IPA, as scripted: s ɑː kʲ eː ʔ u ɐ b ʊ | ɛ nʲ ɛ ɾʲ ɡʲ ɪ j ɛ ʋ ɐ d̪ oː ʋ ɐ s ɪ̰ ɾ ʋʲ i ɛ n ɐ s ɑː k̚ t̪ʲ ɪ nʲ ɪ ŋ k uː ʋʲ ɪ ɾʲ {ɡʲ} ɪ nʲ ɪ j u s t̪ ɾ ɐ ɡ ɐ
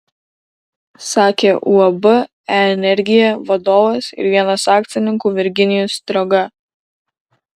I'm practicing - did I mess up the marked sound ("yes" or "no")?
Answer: no